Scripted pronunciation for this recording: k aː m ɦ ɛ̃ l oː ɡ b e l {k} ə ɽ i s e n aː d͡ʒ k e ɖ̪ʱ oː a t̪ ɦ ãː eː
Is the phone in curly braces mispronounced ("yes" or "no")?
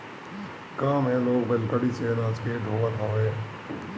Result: no